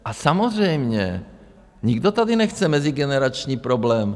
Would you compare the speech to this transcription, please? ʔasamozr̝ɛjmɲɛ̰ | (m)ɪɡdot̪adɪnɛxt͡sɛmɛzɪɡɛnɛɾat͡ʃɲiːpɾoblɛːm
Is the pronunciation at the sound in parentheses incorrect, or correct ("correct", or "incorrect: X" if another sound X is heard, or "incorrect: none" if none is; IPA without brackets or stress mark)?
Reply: incorrect: ɲ